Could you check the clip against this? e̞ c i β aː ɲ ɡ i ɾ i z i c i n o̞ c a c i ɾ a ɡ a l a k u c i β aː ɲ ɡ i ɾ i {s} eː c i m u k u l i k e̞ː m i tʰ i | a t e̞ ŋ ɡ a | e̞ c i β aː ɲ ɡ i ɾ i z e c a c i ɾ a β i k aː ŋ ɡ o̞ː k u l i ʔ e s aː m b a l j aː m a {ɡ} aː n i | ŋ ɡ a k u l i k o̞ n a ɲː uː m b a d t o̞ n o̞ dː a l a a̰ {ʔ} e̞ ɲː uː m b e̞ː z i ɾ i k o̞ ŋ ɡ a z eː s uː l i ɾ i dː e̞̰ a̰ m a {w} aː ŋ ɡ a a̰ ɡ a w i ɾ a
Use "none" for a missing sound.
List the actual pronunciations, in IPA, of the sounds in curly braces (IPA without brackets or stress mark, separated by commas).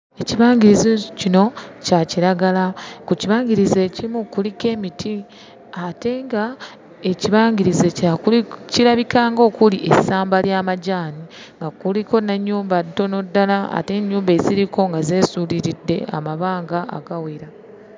z, ɟ, t, β